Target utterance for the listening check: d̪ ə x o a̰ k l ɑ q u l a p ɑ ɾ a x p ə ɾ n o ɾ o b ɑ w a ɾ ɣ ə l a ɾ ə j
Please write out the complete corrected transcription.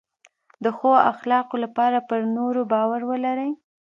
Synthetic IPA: d̪ ə x o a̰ x l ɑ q o l a p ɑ ɾ a p ə ɾ n o ɾ o b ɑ w a ɾ w ə l a ɾ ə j

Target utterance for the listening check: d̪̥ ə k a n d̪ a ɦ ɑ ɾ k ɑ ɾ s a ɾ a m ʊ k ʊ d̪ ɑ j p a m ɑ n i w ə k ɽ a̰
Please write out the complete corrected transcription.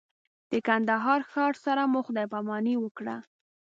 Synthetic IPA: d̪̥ ə k a n d̪ a ɦ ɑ ɾ x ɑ ɾ s a ɾ a m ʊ x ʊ d̪ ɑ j p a m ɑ n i w ə k ɽ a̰

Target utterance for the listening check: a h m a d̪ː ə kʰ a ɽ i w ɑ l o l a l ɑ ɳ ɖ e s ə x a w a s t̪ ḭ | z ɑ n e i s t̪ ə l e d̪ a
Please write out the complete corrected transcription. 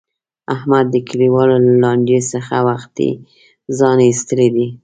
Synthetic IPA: a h m a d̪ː ə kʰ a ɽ i w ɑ l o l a l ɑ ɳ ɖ e s ə x a w a x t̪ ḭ | z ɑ n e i s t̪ ə l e d̪ i

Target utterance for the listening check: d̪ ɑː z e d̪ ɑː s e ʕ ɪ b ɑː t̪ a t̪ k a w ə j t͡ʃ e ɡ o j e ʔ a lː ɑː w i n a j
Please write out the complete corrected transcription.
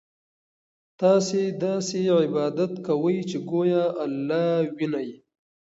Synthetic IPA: t̪ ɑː s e d̪ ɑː s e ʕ ɪ b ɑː d̪ a t̪ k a w ə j t͡ʃ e ɡ o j a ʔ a lː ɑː w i n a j

